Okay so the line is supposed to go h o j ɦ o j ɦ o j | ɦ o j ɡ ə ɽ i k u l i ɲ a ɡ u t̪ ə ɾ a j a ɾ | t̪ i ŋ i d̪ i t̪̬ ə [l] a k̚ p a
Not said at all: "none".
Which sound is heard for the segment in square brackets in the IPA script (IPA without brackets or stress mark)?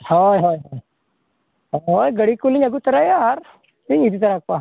ɾ